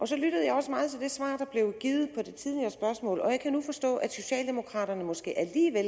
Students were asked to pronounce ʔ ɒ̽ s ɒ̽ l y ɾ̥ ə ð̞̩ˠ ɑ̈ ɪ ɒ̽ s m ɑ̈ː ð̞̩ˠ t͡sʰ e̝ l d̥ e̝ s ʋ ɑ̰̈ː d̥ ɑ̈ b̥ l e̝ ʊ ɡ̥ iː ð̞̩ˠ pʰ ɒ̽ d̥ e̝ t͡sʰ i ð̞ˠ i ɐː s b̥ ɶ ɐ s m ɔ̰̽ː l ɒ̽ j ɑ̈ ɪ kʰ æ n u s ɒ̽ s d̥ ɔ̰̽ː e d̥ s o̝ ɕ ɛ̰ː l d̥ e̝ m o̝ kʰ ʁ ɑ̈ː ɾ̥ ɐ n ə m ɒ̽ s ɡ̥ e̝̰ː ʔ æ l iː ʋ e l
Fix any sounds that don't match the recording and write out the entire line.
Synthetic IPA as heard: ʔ ɒ̽ s ɒ̽ l y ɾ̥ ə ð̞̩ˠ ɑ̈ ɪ ɒ̽ s m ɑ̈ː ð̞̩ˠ t͡sʰ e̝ l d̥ e̝ s ʋ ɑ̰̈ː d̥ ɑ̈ b̥ l e̝ ʊ ɡ̥ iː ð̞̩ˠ pʰ ɒ̽ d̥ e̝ t͡sʰ i ð̞ˠ i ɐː s b̥ ɶ ɐ s m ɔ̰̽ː l ɒ̽ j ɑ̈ ɪ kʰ æ n u f ɒ̽ s d̥ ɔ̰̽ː æ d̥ s o̝ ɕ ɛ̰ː l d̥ e̝ m o̝ kʰ ʁ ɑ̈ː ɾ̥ ɐ n ə m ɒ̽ s ɡ̥ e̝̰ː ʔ æ l iː ʋ e l